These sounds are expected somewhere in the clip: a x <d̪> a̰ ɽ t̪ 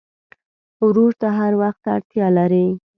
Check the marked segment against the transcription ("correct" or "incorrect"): incorrect